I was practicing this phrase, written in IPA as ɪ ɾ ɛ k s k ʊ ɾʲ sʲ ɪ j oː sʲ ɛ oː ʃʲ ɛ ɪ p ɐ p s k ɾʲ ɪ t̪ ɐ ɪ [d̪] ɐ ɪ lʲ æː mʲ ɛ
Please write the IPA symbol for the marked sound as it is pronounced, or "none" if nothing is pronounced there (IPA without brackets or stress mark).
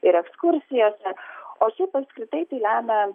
t̪